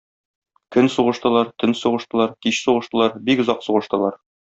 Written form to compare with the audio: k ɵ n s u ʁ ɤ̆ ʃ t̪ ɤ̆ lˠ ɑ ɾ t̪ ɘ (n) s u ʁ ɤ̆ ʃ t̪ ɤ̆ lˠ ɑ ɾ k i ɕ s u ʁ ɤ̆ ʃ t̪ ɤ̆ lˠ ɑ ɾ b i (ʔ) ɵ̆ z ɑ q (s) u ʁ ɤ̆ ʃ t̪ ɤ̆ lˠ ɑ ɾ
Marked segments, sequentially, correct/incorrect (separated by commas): correct, incorrect, correct